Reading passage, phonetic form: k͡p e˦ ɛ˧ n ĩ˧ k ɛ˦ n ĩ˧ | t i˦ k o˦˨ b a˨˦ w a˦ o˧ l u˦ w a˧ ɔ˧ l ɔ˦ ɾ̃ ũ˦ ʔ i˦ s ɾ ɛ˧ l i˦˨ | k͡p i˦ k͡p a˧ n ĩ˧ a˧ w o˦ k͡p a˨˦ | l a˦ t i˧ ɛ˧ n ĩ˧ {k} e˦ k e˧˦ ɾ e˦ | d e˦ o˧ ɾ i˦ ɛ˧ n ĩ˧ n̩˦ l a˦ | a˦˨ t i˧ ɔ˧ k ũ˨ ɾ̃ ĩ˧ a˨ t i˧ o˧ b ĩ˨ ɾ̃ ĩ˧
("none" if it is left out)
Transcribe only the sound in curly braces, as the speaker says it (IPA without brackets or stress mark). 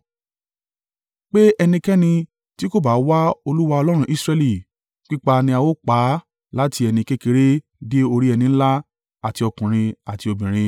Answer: k